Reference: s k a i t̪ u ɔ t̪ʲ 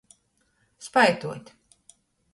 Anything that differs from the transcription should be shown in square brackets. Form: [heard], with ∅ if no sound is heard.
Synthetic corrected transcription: s [p] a [j] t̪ u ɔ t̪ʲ